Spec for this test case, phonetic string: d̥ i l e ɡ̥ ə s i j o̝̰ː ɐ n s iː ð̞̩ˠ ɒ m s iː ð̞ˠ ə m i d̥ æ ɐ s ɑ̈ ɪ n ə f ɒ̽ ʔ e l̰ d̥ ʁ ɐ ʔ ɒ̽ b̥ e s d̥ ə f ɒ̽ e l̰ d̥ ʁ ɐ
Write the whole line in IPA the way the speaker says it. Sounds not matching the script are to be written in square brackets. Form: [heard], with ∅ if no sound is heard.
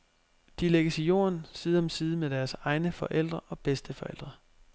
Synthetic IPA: d̥ i l e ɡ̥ ə s i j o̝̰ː ɐ n s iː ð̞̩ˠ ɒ m s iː ð̞ˠ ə m [e] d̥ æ ɐ s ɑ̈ ɪ n ə f ɒ̽ ʔ e l̰ d̥ ʁ ɐ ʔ ɒ̽ b̥ e s d̥ ə f ɒ̽ e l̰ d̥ ʁ ɐ

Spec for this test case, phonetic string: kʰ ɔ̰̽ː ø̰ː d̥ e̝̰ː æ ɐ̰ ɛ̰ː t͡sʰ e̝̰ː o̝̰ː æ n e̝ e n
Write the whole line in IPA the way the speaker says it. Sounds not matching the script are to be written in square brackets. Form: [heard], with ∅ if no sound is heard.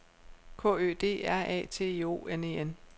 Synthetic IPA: kʰ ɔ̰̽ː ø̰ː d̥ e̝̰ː æ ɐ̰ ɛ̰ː t͡sʰ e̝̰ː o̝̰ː [e] n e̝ e n

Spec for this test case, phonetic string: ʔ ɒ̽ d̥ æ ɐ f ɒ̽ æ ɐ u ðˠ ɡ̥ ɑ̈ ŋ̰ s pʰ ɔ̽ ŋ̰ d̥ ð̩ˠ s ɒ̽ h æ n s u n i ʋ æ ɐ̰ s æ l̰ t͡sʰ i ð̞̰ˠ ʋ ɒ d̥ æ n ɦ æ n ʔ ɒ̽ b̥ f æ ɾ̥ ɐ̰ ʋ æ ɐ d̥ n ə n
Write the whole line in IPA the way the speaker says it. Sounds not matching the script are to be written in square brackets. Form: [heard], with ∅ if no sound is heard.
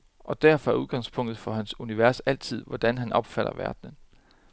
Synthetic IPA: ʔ ɒ̽ d̥ æ ɐ f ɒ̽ æ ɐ u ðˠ ɡ̥ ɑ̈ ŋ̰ s pʰ ɔ̽ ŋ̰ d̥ ð̩ˠ [f] ɒ̽ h æ n s u n i ʋ æ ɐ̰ s æ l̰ t͡sʰ i ð̞̰ˠ ʋ ɒ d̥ æ n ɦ æ n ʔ ɒ̽ b̥ f æ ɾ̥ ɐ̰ ʋ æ ɐ d̥ n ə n

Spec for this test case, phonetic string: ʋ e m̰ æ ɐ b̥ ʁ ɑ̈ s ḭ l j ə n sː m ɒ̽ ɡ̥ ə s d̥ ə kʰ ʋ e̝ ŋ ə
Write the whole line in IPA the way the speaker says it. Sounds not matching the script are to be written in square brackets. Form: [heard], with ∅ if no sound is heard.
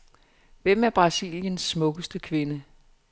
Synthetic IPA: ʋ e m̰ æ ɐ b̥ ʁ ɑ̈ s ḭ l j ə n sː m [ɔ̽] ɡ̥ ə s d̥ ə kʰ ʋ e̝ [n] ə

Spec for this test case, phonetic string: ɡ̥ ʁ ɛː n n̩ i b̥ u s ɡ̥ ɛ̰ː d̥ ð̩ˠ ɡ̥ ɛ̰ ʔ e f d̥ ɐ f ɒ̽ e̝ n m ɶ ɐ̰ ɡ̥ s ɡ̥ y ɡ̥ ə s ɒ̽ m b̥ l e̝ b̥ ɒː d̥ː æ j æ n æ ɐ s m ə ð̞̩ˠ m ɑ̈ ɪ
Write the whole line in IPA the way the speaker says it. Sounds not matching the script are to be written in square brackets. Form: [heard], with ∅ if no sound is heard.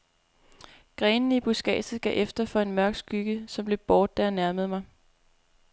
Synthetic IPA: ɡ̥ ʁ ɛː n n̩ i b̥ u s ɡ̥ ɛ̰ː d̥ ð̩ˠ ɡ̥ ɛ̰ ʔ e f d̥ ɐ f ɒ̽ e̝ n m ɶ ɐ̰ ɡ̥ s ɡ̥ y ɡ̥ ə s ɒ̽ m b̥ l e̝ b̥ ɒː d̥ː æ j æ n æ ɐ [∅] m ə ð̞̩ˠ m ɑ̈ ɪ

